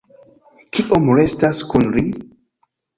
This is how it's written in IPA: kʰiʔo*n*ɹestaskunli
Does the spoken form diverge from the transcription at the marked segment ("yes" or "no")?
yes